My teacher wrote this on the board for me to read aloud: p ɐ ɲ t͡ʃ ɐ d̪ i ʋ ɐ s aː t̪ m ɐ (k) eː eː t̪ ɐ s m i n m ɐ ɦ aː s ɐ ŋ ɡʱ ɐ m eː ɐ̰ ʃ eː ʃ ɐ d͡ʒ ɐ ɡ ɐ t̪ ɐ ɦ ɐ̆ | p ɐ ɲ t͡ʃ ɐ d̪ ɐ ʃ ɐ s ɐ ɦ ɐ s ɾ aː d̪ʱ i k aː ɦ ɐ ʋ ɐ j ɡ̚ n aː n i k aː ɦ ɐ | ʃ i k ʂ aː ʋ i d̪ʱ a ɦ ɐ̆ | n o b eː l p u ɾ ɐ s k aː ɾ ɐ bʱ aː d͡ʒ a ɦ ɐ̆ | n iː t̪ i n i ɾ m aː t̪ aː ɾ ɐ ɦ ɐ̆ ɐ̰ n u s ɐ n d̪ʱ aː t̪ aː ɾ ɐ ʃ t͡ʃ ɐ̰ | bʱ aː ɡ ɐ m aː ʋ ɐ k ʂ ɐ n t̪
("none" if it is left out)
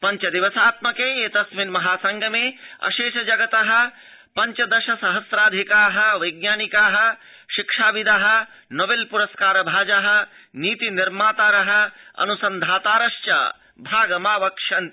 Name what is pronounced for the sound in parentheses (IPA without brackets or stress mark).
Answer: k